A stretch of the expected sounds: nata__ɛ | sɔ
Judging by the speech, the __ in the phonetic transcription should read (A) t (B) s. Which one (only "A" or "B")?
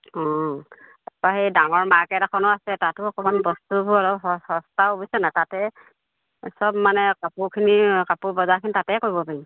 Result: A